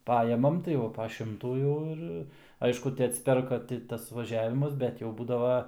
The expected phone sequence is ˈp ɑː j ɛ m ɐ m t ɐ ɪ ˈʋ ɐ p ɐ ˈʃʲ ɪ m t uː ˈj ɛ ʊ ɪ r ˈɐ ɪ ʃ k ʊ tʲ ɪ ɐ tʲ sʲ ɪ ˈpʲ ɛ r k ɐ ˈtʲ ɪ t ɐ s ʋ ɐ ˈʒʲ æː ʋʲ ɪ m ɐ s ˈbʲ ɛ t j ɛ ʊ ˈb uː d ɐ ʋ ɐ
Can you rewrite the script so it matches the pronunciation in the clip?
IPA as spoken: ˈp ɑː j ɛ m ɐ m t ɐ ɪ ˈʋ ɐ p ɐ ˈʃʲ ɪ m t uː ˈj ɛ ʊ ɪ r ˈɐ ɪ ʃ k ʊ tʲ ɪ ɐ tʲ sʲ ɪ ˈpʲ ɛ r k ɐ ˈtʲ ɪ t ɐ s ʋ ɐ ˈʒʲ æː ʋʲ ɪ m ɐ s ˈbʲ ɛ t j ɛ ʊ ˈb uː d ɐ ʋ ɐ